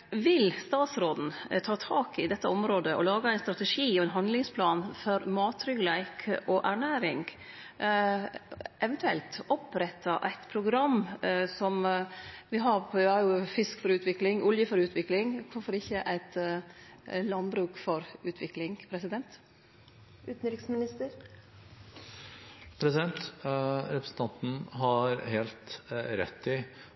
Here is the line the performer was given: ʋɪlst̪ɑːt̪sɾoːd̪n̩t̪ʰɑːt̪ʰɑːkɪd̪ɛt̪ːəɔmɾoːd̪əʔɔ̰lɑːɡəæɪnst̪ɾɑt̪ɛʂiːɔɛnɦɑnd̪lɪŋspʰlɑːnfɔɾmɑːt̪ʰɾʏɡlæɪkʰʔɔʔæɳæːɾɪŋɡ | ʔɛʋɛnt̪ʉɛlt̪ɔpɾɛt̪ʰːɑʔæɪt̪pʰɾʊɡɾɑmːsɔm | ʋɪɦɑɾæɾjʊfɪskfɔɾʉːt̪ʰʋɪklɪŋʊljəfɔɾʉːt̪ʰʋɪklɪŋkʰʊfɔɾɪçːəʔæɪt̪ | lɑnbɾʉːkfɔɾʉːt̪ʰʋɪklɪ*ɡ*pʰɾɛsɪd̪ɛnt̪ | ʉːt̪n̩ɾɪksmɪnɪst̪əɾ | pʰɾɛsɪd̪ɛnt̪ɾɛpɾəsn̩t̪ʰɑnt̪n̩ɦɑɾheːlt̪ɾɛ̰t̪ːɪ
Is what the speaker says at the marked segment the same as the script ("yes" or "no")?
no